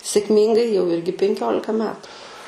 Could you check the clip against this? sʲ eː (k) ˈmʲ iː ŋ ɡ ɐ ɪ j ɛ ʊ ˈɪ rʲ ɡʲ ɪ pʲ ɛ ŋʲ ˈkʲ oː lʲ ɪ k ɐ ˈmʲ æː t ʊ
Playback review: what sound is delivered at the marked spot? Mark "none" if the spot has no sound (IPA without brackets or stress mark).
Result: k